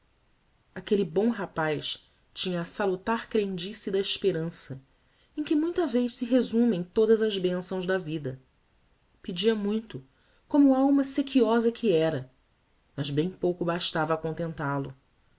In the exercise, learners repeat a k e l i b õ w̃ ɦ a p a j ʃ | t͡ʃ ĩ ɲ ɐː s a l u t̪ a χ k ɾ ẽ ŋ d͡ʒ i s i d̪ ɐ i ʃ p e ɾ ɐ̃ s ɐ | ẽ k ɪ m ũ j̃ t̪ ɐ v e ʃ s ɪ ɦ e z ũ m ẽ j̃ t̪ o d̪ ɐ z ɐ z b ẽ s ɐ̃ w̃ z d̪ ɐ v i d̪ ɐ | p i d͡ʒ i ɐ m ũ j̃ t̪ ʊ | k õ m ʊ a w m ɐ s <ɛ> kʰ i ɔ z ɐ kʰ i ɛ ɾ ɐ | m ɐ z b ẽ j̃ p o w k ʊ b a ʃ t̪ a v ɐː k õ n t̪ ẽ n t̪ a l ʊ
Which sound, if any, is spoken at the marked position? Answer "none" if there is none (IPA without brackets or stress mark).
e